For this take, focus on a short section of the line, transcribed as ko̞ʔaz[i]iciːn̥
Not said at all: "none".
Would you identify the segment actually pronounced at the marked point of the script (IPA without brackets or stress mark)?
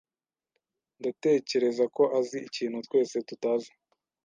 i